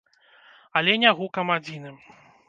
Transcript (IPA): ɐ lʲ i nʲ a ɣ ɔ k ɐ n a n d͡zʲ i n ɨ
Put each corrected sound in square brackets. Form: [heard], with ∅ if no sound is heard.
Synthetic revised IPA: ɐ lʲ [ɛ] nʲ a ɣ [u] k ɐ [m] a [∅] d͡zʲ i n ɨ